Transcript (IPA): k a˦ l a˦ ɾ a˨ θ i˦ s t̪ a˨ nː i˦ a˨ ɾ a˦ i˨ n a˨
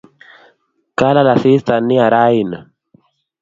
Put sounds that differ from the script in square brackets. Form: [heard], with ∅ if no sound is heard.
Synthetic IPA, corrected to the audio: k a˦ l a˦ [l] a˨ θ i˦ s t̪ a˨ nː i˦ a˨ ɾ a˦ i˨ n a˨